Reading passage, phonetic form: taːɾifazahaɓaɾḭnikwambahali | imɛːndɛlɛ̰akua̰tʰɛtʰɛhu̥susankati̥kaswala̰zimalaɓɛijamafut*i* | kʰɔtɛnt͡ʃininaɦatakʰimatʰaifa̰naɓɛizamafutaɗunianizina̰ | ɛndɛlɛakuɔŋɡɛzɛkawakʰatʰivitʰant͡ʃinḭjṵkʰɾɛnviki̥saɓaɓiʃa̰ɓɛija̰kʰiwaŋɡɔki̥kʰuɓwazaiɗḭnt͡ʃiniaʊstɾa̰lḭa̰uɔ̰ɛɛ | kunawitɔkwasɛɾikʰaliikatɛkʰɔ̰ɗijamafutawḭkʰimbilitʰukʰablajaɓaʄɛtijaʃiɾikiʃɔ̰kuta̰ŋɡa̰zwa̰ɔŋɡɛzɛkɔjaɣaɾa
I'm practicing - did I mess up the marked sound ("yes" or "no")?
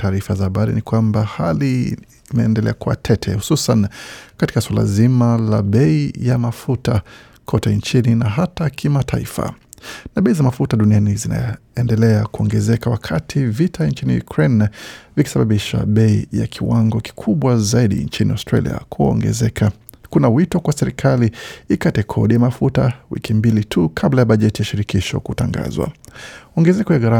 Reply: yes